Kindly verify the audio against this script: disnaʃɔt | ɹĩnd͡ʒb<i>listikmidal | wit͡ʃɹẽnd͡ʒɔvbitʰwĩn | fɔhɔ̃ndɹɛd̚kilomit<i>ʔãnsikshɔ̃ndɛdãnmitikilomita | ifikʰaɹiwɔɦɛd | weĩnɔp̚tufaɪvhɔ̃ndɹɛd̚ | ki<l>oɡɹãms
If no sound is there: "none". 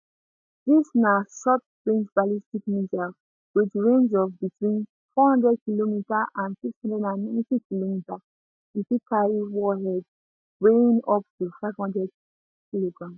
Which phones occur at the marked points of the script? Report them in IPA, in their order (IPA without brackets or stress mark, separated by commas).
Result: a, a, l